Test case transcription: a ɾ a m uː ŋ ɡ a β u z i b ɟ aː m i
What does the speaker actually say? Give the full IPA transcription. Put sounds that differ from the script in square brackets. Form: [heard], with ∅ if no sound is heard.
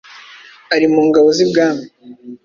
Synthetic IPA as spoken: a ɾ [i] m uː ŋ ɡ a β [o] z i b [ɡ] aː m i